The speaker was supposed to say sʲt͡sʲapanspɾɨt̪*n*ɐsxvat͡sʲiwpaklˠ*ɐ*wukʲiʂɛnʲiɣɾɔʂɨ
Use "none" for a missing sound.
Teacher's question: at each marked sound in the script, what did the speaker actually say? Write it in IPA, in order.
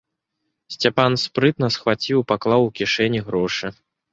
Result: n, a

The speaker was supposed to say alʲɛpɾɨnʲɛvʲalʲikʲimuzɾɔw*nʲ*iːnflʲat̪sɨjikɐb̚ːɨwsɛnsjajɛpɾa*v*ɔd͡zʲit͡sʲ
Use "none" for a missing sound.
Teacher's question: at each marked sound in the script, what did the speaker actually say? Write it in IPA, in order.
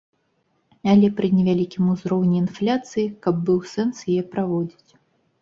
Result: nʲ, v

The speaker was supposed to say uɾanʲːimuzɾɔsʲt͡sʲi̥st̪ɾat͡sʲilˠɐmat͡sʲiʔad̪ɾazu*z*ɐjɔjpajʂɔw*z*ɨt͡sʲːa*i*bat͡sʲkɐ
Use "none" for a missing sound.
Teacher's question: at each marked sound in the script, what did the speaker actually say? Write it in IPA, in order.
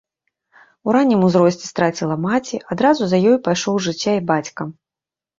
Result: z, ʐ, i

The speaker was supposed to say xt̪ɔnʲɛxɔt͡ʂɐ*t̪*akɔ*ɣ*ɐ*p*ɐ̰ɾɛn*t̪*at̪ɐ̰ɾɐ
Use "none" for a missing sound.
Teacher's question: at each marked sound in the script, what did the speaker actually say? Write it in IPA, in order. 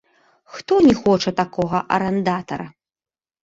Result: t̪, ɣ, ʔ, d̪

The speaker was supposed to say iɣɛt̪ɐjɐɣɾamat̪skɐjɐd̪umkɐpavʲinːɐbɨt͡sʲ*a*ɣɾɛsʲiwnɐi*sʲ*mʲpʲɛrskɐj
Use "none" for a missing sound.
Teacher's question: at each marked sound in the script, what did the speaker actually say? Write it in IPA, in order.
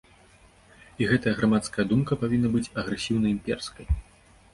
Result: ɐ, none

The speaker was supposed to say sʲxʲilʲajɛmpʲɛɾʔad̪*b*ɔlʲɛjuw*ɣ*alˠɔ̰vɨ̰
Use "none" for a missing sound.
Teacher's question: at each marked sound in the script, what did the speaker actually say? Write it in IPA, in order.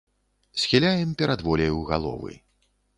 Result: v, ɣ

